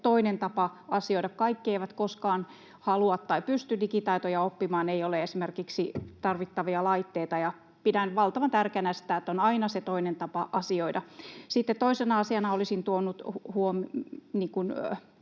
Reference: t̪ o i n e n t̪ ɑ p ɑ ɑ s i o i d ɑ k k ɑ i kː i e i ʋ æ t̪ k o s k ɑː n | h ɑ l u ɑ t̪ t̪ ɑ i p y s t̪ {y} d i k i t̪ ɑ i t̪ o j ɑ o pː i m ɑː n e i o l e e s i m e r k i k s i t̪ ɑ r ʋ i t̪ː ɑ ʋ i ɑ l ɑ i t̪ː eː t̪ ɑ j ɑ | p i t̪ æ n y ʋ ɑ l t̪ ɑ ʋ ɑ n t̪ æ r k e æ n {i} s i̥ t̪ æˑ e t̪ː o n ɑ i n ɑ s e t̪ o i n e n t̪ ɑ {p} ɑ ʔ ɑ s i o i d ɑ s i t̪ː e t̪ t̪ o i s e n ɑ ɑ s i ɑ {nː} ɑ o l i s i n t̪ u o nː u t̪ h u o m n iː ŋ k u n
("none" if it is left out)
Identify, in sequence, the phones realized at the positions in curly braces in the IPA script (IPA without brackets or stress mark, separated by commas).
y, æ, p, n